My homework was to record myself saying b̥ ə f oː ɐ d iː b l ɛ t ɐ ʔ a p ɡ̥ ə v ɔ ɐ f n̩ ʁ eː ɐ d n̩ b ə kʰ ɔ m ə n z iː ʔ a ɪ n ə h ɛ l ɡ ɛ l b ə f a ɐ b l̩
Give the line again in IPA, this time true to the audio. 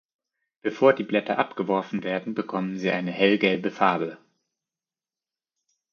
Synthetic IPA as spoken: b̥ ə f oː ɐ d iː b l ɛ t ɐ ʔ a p ɡ̥ ə v ɔ ɐ f n̩ v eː ɐ d n̩ b ə kʰ ɔ m ə n z iː ʔ a ɪ n ə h ɛ l ɡ ɛ l b ə f a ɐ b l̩

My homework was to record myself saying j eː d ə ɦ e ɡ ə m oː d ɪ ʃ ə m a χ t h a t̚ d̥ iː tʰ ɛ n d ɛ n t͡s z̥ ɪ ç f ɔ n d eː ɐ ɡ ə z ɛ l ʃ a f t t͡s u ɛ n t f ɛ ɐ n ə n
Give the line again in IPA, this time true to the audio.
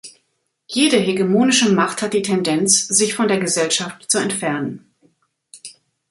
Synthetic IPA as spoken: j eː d ə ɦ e ɡ ə m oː n ɪ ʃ ə m a χ t h a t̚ d̥ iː tʰ ɛ n d ɛ n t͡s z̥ ɪ ç f ɔ n d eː ɐ ɡ ə z ɛ l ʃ a f t t͡s u ɛ n t f ɛ ɐ n ə n

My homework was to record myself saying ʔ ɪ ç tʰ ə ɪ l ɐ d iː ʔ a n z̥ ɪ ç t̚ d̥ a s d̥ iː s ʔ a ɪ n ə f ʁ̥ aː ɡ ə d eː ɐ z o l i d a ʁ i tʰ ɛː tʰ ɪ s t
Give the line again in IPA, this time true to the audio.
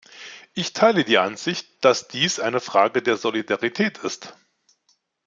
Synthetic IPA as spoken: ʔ ɪ ç tʰ a ɪ l ə d iː ʔ a n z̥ ɪ ç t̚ d̥ a s d̥ iː s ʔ a ɪ n ə f ʁ̥ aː ɡ ə d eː ɐ z o l i d a ʁ i tʰ ɛː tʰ ɪ s t

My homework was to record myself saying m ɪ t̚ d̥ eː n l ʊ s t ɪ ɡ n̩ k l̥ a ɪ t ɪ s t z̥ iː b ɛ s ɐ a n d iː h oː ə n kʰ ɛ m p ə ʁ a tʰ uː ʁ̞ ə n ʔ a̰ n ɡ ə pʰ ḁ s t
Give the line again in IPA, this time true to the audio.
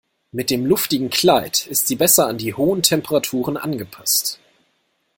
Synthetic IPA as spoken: m ɪ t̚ d̥ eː m l ʊ f t ɪ ɡ ŋ̩ k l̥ a ɪ t ɪ s t z̥ iː b ɛ s ɐ a n d iː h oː ə n tʰ ɛ m p ə ʁ a tʰ uː ʁ̞ ə n ʔ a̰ n ɡ ə pʰ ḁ s t

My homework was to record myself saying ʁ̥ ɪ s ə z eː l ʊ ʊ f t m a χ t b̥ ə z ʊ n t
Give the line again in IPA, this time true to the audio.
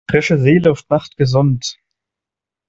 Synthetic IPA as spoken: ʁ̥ ɪ ʃ ə z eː l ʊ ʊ f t n a χ t ɡ̥ ə z ʊ n t

